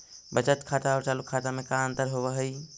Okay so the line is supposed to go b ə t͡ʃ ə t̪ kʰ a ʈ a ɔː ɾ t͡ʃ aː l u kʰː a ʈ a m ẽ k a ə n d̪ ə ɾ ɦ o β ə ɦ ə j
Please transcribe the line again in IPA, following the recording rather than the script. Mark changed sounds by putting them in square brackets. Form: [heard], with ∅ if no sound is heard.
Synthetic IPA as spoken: b ə t͡ʃ ə t̪ kʰ a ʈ a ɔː ɾ t͡ʃ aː l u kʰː a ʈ a m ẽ k a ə n [t̪] ə ɾ ɦ o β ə ɦ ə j